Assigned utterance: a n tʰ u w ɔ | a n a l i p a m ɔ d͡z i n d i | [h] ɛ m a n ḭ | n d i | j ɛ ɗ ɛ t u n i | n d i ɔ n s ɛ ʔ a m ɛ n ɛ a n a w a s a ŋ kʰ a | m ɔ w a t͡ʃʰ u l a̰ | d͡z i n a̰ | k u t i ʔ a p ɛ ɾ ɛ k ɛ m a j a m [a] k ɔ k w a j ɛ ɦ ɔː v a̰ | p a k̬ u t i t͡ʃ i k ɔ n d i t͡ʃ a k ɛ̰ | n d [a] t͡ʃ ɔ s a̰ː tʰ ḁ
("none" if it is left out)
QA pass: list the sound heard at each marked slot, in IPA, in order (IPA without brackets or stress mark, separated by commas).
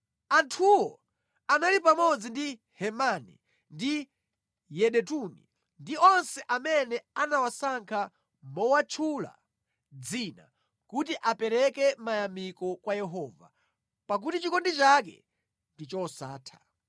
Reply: h, i, i